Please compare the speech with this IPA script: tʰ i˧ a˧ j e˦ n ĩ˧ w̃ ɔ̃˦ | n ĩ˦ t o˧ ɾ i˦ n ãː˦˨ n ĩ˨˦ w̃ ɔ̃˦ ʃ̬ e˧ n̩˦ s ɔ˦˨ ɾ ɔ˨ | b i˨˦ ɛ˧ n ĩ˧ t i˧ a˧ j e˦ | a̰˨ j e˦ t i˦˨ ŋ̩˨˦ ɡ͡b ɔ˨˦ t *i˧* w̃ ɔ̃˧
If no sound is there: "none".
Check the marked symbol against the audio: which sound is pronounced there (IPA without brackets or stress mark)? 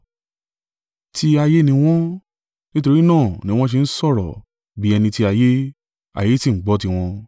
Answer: i˧